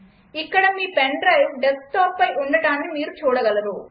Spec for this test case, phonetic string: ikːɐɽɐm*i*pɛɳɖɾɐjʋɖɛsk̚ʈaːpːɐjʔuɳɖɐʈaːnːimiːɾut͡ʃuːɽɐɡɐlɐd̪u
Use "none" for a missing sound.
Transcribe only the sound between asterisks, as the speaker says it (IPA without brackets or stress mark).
iː